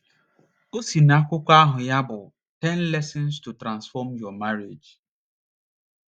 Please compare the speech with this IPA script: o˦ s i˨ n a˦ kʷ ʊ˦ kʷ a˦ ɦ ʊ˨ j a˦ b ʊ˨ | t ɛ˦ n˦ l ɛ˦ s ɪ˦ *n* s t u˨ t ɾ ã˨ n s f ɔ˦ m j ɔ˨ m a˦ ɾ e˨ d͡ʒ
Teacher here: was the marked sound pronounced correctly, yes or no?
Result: yes